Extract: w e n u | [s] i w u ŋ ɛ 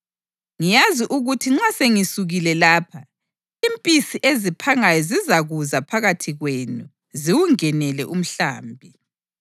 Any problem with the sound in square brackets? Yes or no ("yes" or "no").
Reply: yes